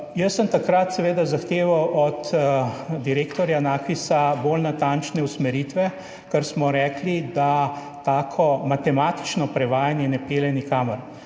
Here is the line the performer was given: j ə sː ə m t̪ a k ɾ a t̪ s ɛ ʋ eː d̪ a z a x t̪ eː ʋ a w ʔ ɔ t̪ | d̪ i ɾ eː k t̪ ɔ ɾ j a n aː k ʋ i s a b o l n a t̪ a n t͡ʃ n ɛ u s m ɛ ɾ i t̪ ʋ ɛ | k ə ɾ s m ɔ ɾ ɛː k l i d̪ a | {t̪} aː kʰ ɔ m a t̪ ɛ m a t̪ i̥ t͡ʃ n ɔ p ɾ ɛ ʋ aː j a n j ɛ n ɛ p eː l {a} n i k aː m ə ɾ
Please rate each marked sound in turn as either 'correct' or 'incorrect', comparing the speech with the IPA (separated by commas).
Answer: correct, incorrect